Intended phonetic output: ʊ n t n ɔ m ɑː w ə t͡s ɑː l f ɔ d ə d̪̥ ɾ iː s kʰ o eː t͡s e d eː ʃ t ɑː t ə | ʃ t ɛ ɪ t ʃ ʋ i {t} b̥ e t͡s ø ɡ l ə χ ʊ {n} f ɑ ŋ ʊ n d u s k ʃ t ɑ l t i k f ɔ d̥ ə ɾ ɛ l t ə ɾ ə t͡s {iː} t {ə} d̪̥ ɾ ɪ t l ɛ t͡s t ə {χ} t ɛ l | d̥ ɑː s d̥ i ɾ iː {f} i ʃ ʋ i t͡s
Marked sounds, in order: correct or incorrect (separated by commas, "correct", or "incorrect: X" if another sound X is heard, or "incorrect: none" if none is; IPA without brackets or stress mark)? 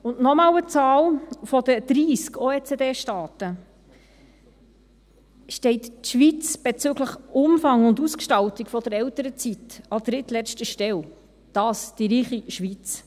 incorrect: t͡s, incorrect: m, incorrect: i, incorrect: ɑ, incorrect: ʃ, incorrect: χ